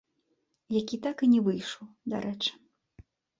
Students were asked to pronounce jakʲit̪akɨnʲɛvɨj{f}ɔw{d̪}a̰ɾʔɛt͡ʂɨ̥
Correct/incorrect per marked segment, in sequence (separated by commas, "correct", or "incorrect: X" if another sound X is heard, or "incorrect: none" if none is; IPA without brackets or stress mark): incorrect: ʂ, correct